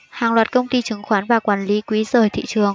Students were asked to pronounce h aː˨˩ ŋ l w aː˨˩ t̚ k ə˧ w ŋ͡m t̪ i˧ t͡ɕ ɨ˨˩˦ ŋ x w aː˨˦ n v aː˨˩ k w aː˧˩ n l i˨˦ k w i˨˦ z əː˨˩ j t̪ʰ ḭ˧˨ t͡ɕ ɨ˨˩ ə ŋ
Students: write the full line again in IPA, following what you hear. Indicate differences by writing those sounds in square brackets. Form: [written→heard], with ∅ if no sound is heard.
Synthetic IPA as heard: h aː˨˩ ŋ l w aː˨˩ t̚ k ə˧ w ŋ͡m t̪ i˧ t͡ɕ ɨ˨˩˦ ŋ x w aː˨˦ n v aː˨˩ k w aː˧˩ n l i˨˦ k w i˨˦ z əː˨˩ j t̪ʰ ḭ˧˨ t͡ɕ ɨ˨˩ ə ŋ